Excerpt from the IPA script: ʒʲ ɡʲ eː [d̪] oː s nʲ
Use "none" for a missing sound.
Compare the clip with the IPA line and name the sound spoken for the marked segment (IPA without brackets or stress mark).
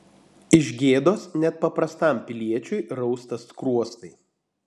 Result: d̪